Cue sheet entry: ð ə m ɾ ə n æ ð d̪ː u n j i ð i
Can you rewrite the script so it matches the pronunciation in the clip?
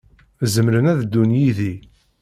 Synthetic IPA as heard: z ə m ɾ ə n æ ð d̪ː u n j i ð i